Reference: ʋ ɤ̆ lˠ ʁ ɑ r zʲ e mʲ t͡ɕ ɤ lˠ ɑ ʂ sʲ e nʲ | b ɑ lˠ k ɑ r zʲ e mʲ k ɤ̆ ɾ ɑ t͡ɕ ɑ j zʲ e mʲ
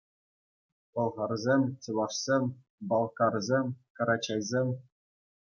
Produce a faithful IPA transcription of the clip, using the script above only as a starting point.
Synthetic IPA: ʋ ɤ̆ lˠ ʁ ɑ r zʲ e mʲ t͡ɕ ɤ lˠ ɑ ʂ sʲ e mʲ | b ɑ lˠ k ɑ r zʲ e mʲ k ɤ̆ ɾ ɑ t͡ɕ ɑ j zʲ e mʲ